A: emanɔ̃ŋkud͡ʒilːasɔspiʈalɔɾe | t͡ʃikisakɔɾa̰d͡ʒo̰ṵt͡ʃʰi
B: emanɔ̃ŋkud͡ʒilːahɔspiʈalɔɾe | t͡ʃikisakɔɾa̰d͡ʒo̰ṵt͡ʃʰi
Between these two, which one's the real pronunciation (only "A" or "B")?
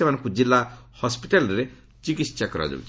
B